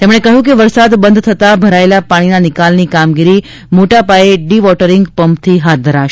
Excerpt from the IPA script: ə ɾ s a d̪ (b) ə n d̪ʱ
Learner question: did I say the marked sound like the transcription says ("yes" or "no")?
yes